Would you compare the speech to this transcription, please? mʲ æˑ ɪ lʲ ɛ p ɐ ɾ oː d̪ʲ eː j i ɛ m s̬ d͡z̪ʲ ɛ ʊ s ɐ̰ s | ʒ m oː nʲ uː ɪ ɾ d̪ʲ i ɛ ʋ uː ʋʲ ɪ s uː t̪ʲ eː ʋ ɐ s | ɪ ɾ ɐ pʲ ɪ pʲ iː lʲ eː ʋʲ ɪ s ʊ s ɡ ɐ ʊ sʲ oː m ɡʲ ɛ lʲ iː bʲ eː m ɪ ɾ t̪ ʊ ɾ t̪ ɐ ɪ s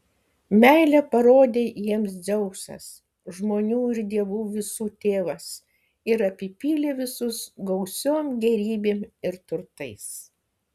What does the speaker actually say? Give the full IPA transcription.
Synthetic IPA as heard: mʲ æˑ ɪ lʲ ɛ p ɐ ɾ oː d̪ʲ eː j i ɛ m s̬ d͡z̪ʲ ɛ ʊ s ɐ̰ s | ʒ m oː nʲ uː ɪ ɾ d̪ʲ i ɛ ʋ uː ʋʲ ɪ s uː t̪ʲ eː ʋ ɐ s | ɪ ɾ ɐ pʲ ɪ pʲ iː lʲ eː ʋʲ ɪ s ʊ s ɡ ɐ ʊ sʲ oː m ɡʲ ɛ ɾʲ iː bʲ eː m ɪ ɾ t̪ ʊ ɾ t̪ ɐ ɪ s